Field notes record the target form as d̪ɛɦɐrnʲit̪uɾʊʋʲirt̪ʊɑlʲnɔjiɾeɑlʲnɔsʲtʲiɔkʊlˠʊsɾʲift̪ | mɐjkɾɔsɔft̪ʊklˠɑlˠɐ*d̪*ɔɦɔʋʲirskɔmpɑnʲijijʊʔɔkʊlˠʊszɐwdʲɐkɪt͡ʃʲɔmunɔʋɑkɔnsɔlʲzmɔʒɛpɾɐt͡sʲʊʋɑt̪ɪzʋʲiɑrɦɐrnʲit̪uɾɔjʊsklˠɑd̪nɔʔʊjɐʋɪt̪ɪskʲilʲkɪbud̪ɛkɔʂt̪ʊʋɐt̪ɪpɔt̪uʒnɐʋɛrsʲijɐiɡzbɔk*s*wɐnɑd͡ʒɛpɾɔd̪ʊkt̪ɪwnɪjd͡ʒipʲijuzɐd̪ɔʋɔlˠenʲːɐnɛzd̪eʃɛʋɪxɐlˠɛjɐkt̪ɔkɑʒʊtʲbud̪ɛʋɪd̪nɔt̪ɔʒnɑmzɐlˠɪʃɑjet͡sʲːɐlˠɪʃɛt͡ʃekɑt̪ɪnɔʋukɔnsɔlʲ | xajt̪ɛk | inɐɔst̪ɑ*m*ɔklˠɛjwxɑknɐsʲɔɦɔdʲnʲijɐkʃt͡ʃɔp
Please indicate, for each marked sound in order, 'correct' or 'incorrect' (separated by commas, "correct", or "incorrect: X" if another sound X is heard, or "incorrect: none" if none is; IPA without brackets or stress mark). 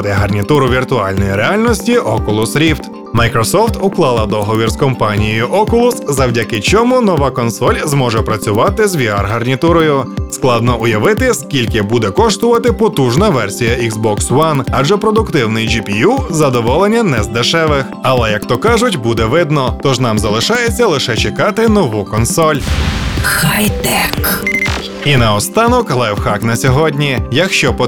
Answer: correct, correct, incorrect: n